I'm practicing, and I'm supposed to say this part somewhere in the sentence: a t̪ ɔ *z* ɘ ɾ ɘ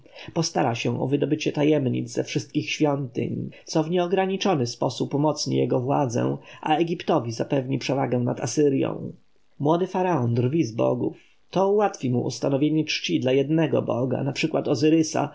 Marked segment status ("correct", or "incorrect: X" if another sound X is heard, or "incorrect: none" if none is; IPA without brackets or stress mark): correct